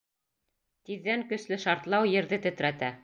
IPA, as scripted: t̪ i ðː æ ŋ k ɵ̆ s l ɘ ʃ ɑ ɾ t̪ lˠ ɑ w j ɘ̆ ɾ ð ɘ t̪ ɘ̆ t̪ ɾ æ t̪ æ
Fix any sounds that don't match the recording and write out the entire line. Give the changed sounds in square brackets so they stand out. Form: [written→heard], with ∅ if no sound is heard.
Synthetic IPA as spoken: t̪ i ðː æ ŋ k ɵ̆ s l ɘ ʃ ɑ ɾ t̪ lˠ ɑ w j ɘ̆ ɾ ð ɘ t̪ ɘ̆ t̪ ɾ æ t̪ æ